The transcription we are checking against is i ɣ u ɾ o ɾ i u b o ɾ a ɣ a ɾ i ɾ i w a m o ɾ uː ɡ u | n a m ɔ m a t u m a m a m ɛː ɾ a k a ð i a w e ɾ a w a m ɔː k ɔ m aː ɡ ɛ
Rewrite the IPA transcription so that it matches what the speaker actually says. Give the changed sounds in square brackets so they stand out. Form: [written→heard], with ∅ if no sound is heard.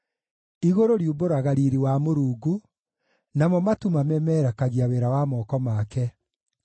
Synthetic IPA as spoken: i ɣ [u→o] ɾ o ɾ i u b o ɾ a ɣ a ɾ i ɾ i w a m o ɾ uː ɡ u | n a m ɔ m a t u m a m [a→ɛ] m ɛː ɾ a k a [ð→ɣ] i a w e ɾ a w a m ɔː k ɔ m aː [ɡ→k] ɛ

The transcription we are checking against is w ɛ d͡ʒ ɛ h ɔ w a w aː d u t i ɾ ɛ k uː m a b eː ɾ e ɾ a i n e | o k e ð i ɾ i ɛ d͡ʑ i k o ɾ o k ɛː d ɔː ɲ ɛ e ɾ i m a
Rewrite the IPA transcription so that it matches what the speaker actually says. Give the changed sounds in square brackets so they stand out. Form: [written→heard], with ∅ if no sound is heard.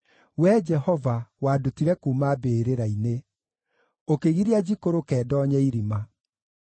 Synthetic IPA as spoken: w ɛ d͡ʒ ɛ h ɔ [w→v] a w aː d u t i ɾ ɛ k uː m a b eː ɾ e ɾ a i n e | o k e [ð→ɣ] i ɾ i [ɛ→a] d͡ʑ i k o ɾ o k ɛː d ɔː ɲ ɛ [e→i] ɾ i m a

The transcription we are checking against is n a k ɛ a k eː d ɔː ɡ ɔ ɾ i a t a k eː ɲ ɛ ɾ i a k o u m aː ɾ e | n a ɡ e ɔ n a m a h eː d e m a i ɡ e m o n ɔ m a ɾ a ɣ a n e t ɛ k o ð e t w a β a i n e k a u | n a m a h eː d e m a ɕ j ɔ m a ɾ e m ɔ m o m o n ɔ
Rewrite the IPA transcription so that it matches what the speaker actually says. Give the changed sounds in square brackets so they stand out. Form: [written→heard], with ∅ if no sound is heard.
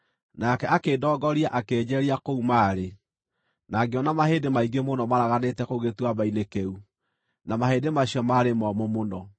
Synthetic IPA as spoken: n a k ɛ a k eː d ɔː ɡ ɔ ɾ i a [t→ʔ] a k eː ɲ ɛ ɾ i a k o u m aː ɾ e | n a ɡ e ɔ n a m a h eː d e m a i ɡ e m o n ɔ m a ɾ a ɣ a n e t ɛ k o [ð→ɣ] e t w a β a i n e k [a→e] u | n a m a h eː d e m a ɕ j ɔ m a ɾ e m ɔ m o m o n ɔ

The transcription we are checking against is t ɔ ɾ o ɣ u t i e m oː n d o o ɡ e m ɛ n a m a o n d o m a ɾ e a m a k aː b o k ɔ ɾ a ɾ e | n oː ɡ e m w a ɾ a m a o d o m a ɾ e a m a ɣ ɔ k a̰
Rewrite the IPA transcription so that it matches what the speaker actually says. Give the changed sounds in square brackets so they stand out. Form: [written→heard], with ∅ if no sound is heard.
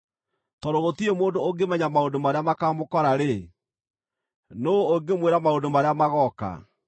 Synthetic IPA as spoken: t ɔ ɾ o ɣ [u→o] t i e m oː n d o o ɡ e m ɛ [n→ɲ] a m a o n d o m a ɾ e a m a k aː [b→m] o k ɔ ɾ a ɾ e | n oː ɡ e m w [a→e] ɾ a m a o d o m a ɾ e a m a ɣ ɔ k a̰

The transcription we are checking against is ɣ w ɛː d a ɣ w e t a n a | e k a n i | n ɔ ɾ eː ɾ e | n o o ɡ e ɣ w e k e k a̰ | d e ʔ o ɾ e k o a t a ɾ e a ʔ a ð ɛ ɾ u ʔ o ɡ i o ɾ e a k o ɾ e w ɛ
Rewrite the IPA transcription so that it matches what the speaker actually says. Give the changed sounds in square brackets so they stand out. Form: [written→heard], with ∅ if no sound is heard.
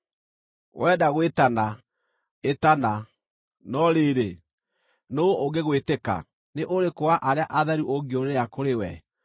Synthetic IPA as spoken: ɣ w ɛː d a ɣ w e t a n a | e [k→t] a n [i→a] | n ɔ ɾ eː ɾ e | n o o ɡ e ɣ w e [k→t] e k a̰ | [d→n] e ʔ o ɾ e k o a [t→ʔ] a ɾ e a ʔ a ð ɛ ɾ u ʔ o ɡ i o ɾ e a k o ɾ e w ɛ

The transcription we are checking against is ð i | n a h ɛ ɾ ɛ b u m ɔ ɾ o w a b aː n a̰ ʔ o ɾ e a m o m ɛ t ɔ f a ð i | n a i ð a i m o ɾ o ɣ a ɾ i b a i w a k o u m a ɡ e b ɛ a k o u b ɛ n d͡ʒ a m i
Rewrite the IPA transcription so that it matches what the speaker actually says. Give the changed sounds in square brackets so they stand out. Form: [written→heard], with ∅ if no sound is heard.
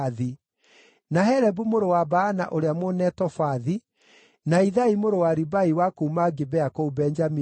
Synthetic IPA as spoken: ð i | n a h ɛ ɾ ɛ b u m [ɔ→o] ɾ o w a b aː n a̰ ʔ o ɾ e a m o [m→n] ɛ t ɔ f a ð i | n a i ð a i m o ɾ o [ɣ→w] a ɾ i b a i w a k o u m a ɡ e b ɛ a k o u b ɛ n d͡ʒ a m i

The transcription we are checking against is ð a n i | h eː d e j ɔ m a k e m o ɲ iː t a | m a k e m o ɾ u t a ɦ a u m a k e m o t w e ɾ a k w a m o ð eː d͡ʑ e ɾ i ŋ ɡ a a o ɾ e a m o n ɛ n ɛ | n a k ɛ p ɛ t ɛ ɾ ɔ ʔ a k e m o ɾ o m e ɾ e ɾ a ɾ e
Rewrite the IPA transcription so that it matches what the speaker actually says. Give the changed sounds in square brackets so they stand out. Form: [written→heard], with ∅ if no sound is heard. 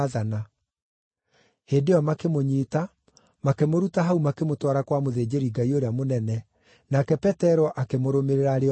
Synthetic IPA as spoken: ð a n [i→a] | h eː d e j ɔ m a k e m o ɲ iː t a | m a k e m o ɾ u t a ɦ a u m a k e m o t w [e→a] ɾ a k w a m o ð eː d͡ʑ e ɾ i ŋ ɡ a [a→i] o ɾ e a m o n ɛ n ɛ | n a k ɛ p ɛ t ɛ ɾ ɔ ʔ a k e m o ɾ o m e ɾ e ɾ a ɾ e

